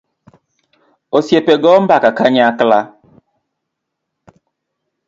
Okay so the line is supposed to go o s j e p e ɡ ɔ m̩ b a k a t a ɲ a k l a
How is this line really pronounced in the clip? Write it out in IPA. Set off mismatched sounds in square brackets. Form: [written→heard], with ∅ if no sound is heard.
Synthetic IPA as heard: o s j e p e ɡ ɔ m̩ b a k a [t→k] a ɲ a k l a